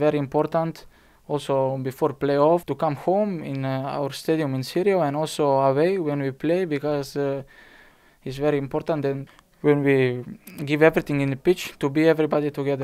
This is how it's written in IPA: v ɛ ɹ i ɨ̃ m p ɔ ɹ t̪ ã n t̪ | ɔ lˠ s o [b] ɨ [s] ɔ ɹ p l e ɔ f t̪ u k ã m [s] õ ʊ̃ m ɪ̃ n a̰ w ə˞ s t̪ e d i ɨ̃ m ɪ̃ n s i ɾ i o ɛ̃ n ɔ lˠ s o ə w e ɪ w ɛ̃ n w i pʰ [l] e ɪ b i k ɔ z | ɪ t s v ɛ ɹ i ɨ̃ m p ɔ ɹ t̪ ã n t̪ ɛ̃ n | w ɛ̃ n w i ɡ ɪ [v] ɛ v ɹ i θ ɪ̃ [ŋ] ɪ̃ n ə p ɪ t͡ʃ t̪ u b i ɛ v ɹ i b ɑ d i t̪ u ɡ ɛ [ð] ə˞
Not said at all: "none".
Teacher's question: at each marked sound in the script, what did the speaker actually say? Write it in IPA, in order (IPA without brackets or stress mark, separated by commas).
b, f, h, l, v, ŋ, ð